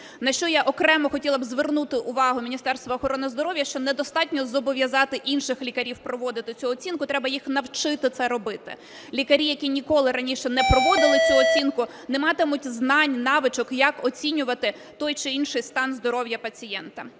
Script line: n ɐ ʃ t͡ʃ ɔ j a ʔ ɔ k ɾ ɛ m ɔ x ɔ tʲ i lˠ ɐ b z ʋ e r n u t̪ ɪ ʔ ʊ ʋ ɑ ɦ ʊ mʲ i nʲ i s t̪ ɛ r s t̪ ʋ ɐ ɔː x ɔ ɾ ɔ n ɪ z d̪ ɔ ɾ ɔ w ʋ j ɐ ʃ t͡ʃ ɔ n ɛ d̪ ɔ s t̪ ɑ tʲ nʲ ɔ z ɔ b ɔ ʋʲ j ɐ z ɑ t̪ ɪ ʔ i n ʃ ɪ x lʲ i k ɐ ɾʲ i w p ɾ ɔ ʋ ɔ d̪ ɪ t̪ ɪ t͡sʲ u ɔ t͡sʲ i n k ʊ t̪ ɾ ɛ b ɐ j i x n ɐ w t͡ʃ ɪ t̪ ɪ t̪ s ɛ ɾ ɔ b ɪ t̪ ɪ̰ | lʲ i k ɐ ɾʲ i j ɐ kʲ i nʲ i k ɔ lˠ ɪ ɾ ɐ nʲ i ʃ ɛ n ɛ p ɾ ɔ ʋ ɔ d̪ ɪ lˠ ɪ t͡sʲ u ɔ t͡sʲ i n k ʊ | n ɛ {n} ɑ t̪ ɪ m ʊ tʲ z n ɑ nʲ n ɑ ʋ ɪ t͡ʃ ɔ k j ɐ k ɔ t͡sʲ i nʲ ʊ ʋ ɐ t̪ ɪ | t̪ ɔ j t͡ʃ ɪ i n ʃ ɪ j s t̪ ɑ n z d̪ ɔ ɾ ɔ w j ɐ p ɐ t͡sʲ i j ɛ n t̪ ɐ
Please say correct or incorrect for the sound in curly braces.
incorrect